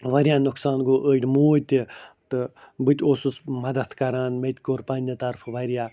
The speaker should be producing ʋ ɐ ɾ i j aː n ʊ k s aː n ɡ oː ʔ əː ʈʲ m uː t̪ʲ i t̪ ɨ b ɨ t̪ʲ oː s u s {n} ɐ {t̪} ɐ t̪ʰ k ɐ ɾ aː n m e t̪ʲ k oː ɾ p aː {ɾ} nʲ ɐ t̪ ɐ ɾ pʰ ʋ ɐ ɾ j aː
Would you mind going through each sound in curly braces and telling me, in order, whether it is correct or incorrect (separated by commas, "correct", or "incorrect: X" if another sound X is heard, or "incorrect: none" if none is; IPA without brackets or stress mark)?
incorrect: m, incorrect: d̪, incorrect: none